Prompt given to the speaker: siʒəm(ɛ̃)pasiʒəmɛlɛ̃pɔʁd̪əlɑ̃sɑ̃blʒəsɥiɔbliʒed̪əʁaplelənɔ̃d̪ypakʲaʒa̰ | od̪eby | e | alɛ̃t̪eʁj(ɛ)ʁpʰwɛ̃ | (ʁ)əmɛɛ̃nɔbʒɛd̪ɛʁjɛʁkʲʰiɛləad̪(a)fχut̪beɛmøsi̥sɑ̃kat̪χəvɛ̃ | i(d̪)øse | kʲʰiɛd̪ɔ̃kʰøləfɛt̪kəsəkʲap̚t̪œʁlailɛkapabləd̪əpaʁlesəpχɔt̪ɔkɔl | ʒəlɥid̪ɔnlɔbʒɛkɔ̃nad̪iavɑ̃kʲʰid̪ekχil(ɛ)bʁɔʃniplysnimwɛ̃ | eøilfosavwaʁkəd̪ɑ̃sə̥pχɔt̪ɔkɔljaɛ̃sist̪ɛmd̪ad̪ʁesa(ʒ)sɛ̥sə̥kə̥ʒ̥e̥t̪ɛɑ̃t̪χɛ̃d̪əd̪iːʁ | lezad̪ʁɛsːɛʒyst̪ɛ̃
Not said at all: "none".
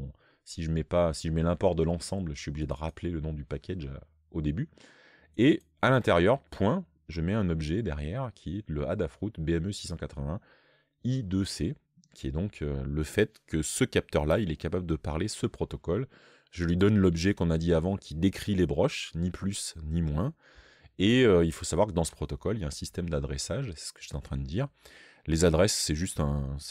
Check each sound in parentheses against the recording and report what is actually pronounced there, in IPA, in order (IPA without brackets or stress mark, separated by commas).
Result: ɛ, œ, ʒ, a, d̪, e, ʒ